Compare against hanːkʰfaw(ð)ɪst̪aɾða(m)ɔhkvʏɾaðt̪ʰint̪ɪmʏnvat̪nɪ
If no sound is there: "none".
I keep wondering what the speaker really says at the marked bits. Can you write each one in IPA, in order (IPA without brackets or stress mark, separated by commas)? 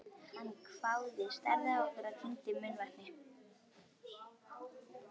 ð, none